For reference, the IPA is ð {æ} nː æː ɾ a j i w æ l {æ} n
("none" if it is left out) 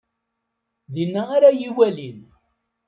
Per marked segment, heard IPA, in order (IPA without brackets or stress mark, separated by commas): i, i